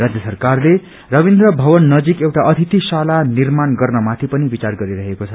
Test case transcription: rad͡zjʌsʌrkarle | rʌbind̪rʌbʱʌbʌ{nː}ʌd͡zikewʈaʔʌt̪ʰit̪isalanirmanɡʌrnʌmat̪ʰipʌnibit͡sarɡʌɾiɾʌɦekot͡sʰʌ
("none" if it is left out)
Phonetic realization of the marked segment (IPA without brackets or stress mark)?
nː